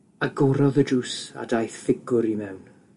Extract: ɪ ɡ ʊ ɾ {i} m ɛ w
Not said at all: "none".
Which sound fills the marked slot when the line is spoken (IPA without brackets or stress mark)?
i